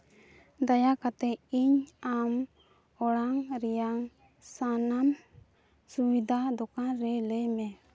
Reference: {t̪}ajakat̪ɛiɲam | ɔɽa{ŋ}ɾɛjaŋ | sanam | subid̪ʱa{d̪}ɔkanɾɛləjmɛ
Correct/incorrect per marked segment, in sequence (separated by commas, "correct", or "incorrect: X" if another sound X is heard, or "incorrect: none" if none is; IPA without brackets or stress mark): incorrect: d̪, correct, correct